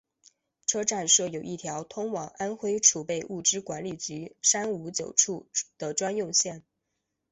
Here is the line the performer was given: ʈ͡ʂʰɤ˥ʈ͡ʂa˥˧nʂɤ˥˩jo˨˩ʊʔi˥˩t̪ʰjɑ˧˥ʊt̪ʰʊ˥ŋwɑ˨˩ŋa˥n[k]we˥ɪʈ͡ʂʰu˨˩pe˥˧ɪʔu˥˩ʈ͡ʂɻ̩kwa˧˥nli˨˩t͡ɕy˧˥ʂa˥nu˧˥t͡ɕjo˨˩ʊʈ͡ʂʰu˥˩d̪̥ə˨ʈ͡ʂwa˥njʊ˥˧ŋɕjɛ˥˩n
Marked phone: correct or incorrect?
incorrect